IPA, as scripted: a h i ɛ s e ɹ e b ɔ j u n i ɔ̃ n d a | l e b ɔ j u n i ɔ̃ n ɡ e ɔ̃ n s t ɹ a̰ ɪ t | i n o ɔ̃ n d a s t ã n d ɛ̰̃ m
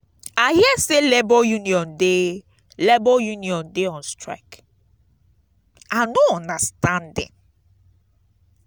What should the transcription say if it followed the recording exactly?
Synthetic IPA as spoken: a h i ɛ s e l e b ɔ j u n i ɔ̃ n d e | l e b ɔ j u n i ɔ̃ n d e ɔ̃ n s t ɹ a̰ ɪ k | a n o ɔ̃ n d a s t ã n d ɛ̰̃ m